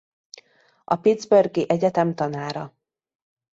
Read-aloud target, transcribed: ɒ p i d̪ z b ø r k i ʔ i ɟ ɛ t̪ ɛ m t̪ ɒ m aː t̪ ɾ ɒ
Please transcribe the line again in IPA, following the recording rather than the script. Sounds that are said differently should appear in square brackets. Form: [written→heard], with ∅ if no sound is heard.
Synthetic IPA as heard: ɒ p i d̪ z b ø r [k→ɡ] i ʔ [i→ɛ] ɟ ɛ t̪ ɛ m t̪ ɒ [m→n] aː [t̪→∅] ɾ ɒ